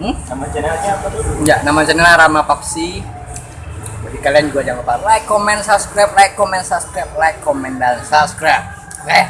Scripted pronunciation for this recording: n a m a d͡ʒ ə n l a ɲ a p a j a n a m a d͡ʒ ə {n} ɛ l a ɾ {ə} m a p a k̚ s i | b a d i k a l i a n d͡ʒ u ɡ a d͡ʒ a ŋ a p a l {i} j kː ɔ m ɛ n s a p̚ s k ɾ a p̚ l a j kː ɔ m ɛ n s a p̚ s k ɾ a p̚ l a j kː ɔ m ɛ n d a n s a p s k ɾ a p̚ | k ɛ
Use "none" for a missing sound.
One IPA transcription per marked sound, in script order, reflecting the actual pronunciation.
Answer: n, a, a

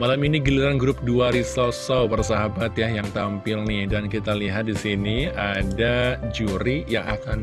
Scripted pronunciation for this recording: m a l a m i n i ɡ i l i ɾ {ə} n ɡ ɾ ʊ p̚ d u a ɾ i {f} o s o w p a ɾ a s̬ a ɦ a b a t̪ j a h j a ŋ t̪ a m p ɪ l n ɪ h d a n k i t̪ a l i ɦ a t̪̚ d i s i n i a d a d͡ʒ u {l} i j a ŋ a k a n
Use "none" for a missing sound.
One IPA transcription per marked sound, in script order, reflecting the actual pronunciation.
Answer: a, s, ɾ

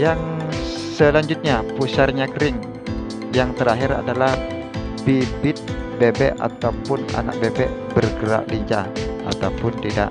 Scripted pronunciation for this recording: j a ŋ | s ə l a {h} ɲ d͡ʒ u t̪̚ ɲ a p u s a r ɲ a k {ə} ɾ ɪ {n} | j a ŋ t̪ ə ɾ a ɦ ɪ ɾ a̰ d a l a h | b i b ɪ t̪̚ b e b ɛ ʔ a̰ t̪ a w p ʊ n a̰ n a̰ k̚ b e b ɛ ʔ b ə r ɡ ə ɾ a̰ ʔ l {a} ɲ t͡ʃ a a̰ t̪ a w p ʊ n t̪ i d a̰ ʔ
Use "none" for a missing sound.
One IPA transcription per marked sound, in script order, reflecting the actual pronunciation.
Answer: none, ə, ŋ, i

